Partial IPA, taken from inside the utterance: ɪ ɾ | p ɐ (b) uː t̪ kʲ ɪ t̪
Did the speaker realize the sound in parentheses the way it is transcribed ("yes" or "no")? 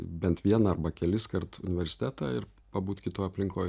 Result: yes